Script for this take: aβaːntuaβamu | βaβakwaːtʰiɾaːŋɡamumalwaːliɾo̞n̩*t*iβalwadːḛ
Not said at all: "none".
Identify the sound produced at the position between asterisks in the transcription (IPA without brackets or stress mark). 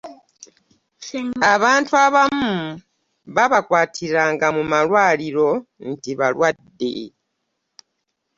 t